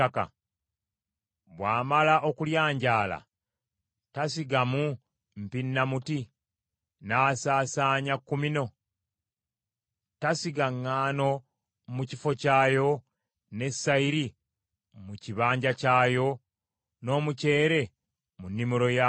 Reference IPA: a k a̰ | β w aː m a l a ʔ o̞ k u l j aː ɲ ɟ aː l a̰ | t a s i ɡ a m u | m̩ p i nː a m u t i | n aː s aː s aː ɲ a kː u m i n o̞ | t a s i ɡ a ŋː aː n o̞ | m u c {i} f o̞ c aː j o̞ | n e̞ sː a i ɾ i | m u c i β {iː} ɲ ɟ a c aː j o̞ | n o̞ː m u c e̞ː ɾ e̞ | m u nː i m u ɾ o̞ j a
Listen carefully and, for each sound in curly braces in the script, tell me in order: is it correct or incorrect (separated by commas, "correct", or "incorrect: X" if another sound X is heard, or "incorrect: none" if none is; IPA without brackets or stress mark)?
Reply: correct, incorrect: aː